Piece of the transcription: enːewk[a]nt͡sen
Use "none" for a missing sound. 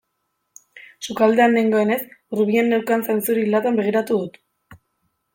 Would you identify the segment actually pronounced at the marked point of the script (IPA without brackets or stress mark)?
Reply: a